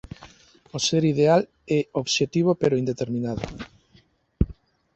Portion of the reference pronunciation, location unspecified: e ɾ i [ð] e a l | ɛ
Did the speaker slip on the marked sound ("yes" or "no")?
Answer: no